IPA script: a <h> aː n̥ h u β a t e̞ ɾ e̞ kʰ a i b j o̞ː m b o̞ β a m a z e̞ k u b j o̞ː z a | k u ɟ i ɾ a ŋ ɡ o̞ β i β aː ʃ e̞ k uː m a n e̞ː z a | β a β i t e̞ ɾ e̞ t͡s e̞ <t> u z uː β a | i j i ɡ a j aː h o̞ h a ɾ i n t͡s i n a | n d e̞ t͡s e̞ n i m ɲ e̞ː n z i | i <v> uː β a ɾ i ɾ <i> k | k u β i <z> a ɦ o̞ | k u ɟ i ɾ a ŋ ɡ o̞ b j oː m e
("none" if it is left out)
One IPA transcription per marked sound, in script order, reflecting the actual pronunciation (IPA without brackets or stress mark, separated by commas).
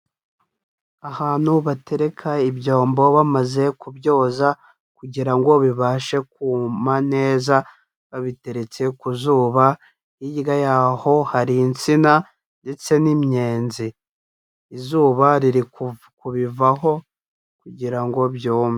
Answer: h, k, z, i, v